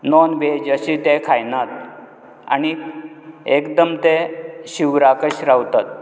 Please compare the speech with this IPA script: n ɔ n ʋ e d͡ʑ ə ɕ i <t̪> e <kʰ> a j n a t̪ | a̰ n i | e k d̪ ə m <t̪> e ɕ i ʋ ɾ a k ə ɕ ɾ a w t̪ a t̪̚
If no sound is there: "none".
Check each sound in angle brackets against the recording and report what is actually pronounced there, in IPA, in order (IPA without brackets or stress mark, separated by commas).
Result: t̪, kʰ, t̪